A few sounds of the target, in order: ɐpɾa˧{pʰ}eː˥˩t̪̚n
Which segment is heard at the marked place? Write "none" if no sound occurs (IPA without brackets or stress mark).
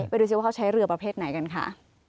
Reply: pʰ